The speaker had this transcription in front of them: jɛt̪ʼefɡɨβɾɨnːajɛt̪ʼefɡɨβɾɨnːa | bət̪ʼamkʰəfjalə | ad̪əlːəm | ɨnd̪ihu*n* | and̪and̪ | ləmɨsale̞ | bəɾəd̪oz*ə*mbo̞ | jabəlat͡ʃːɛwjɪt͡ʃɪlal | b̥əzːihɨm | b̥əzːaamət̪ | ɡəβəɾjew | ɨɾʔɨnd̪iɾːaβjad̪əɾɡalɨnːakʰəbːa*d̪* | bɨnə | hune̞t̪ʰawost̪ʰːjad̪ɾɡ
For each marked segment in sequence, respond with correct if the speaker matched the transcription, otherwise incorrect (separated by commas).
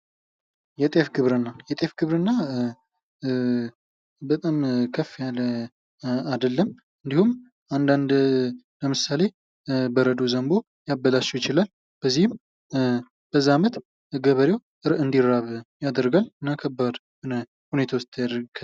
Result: incorrect, correct, correct